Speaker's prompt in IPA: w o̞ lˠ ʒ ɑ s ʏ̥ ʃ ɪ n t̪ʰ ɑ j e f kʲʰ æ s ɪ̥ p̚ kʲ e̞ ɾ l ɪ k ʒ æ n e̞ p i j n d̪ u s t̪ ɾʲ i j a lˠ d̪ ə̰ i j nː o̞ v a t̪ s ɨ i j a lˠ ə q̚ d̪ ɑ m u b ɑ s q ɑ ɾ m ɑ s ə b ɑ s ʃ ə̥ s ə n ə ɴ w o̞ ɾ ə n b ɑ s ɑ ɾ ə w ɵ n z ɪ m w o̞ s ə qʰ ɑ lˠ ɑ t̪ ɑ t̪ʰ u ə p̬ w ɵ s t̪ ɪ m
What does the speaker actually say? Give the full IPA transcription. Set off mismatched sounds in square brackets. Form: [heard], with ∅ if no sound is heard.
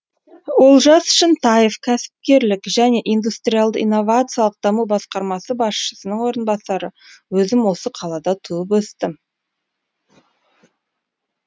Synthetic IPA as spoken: w o̞ lˠ ʒ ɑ s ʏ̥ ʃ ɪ n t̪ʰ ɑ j e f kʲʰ æ s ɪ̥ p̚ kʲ e̞ ɾ l ɪ k ʒ æ n e̞ [ʔ] i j n d̪ u s t̪ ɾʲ i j a lˠ d̪ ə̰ i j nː o̞ v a t̪ s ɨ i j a lˠ ə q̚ d̪ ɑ m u b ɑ s q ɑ ɾ m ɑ s ə b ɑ s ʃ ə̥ s ə n ə ɴ w o̞ ɾ ə n b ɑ s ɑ ɾ ə w ɵ [∅] z ɪ m w o̞ s ə qʰ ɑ lˠ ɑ [d̪] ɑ t̪ʰ u ə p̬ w ɵ s t̪ ɪ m

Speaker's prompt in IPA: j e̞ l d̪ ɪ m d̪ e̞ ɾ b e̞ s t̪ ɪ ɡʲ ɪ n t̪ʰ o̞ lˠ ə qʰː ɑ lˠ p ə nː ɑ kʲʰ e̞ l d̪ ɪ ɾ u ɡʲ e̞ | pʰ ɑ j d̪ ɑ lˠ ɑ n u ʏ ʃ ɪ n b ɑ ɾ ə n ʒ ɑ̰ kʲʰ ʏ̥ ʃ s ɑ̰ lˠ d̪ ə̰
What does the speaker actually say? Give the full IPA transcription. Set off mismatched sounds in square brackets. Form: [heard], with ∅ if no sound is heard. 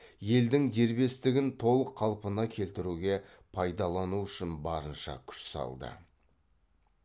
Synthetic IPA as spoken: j e̞ l d̪ ɪ [ŋ] d̪ e̞ ɾ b e̞ s t̪ ɪ ɡʲ ɪ n t̪ʰ o̞ lˠ ə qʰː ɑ lˠ p ə [n] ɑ kʲʰ e̞ l [t̪] ɪ ɾ u ɡʲ e̞ | pʰ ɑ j d̪ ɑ lˠ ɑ n u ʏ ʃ ɪ n b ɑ ɾ ə n [ʃ] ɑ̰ kʲʰ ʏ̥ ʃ s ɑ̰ lˠ d̪ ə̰

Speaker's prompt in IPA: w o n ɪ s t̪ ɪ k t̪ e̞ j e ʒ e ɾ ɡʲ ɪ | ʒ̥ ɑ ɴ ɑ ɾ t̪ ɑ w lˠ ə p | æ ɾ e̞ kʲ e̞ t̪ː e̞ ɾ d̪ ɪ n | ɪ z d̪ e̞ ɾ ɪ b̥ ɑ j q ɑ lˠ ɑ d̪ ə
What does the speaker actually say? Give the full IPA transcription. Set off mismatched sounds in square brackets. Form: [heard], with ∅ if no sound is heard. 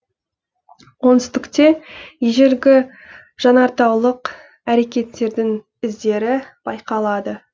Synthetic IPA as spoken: w o n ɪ s t̪ ɪ k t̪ e̞ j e ʒ e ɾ ɡʲ ɪ | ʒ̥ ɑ [n] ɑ ɾ t̪ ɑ w lˠ ə [q] | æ ɾ e̞ kʲ e̞ t̪ː e̞ ɾ d̪ ɪ [ŋ] | ɪ z d̪ e̞ ɾ ɪ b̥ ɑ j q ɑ lˠ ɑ d̪ ə

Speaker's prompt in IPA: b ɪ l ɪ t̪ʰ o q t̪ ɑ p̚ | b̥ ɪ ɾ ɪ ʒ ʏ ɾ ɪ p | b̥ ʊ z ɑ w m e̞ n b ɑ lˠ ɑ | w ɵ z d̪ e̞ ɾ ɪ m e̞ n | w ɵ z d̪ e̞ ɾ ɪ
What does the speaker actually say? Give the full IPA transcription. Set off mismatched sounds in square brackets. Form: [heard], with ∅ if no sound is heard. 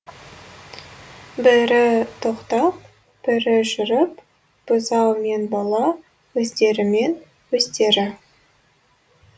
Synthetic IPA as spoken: b ɪ [ɾ] ɪ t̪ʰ o q t̪ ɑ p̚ | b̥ ɪ ɾ ɪ ʒ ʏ ɾ ɪ p | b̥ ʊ z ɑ w m e̞ n b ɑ lˠ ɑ | w ɵ z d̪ e̞ ɾ ɪ m e̞ n | w ɵ z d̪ e̞ ɾ ɪ

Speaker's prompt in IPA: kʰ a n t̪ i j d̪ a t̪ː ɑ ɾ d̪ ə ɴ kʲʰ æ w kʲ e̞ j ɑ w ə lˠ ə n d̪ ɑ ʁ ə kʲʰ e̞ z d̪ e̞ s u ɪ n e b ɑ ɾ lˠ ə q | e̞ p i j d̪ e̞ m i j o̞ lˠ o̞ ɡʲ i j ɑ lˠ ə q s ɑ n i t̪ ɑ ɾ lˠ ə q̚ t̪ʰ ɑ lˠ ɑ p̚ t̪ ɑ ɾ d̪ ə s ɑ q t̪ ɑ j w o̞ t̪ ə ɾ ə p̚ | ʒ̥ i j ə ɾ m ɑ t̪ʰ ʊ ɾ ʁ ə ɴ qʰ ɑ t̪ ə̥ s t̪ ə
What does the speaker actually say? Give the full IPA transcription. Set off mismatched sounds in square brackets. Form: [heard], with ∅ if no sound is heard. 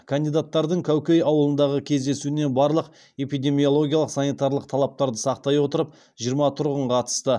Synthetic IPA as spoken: kʰ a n [d̪] i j d̪ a t̪ː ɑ ɾ d̪ ə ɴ kʲʰ æ w kʲ e̞ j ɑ w ə lˠ ə n d̪ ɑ ʁ ə kʲʰ e̞ z d̪ e̞ s u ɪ n e b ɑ ɾ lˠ ə q | e̞ p i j d̪ e̞ m i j o̞ lˠ o̞ ɡʲ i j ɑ lˠ ə q s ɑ n i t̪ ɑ ɾ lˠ ə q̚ t̪ʰ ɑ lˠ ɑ p̚ t̪ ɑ ɾ d̪ ə s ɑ q t̪ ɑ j w o̞ t̪ ə ɾ ə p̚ | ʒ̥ i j ə ɾ m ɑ t̪ʰ ʊ ɾ ʁ ə ɴ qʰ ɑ t̪ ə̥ s t̪ ə

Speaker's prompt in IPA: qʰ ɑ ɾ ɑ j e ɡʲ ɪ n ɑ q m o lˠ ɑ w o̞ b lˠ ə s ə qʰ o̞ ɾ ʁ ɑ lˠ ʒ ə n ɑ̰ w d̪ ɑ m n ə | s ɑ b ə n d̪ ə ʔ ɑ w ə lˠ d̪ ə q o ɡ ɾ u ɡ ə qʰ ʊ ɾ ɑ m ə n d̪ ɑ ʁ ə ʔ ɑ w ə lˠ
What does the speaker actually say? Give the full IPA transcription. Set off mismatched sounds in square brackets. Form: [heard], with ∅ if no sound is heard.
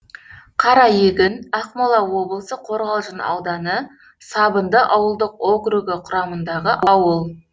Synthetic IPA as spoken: qʰ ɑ ɾ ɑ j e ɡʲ ɪ n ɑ q m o lˠ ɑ w o̞ b lˠ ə s ə qʰ o̞ ɾ ʁ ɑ lˠ ʒ ə n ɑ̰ w d̪ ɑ [∅] n ə | s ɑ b ə n d̪ ə ʔ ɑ w ə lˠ d̪ ə q o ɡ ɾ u ɡ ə qʰ ʊ ɾ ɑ m ə n d̪ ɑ ʁ ə ʔ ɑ w ə lˠ

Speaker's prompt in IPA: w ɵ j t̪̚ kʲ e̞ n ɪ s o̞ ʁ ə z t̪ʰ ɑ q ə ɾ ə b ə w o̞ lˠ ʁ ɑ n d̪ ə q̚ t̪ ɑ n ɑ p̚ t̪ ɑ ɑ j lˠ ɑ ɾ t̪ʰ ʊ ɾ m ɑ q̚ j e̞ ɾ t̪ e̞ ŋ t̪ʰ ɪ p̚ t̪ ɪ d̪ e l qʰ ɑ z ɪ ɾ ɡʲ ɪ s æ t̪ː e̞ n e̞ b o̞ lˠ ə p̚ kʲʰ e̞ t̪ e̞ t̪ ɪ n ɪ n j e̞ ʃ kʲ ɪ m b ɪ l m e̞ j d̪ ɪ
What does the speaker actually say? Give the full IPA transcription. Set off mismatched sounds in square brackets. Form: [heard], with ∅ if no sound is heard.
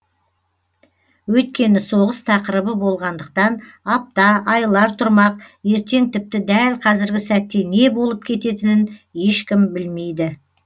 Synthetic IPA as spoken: w ɵ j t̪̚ kʲ e̞ n ɪ s o̞ ʁ ə [s] t̪ʰ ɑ q ə ɾ ə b ə [b] o̞ lˠ ʁ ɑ n d̪ ə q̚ t̪ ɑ n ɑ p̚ t̪ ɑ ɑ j lˠ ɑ ɾ t̪ʰ ʊ ɾ m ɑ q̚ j e̞ ɾ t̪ e̞ ŋ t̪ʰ ɪ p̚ t̪ ɪ d̪ [æ] l qʰ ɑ z ɪ ɾ ɡʲ ɪ s æ t̪ː e̞ n e̞ b o̞ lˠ ə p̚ kʲʰ e̞ t̪ e̞ t̪ ɪ n ɪ n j e̞ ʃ kʲ ɪ m b ɪ l m e̞ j d̪ ɪ

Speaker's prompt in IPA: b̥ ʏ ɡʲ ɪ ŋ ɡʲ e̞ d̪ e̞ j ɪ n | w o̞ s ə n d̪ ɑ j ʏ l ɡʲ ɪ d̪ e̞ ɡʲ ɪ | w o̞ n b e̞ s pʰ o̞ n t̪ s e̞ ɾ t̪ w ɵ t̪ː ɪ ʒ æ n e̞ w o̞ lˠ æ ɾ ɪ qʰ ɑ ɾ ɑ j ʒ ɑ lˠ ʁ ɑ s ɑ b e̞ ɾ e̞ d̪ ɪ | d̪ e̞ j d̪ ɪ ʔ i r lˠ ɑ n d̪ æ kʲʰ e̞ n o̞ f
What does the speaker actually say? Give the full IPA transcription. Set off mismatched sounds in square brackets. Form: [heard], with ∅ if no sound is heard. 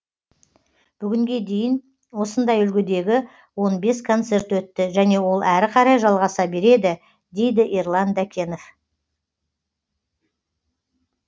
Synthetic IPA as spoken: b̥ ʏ ɡʲ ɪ ŋ ɡʲ e̞ d̪ e̞ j ɪ n | w o̞ s ə n d̪ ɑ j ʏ l ɡʲ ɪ d̪ e̞ ɡʲ ɪ | w o̞ n b e̞ s [kʰ] o̞ n t̪ s e̞ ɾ t̪ w ɵ t̪ː ɪ ʒ æ n e̞ w o̞ lˠ æ ɾ ɪ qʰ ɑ ɾ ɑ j ʒ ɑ lˠ ʁ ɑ s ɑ b e̞ ɾ e̞ d̪ ɪ | d̪ e̞ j d̪ ɪ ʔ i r lˠ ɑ n d̪ æ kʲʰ e̞ n o̞ f

